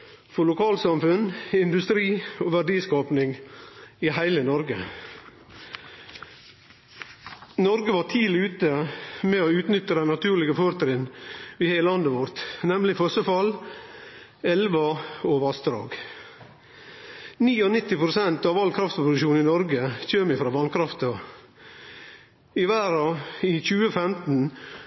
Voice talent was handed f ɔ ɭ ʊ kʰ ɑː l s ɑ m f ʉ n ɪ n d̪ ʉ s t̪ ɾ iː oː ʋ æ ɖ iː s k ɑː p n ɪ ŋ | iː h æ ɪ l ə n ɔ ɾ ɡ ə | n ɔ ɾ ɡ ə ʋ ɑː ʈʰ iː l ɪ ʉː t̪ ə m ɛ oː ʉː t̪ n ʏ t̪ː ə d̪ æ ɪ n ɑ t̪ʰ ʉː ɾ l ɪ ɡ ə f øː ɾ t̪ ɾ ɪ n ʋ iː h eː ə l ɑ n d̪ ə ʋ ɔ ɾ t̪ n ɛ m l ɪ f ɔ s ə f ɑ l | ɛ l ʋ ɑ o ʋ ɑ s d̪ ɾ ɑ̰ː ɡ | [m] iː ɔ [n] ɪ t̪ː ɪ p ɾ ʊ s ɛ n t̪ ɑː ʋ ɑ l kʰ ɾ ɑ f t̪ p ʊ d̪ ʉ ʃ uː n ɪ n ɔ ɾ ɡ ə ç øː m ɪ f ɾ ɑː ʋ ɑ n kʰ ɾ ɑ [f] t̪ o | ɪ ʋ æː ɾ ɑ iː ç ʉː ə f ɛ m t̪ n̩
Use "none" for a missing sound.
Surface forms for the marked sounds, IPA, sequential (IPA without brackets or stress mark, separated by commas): n, n, f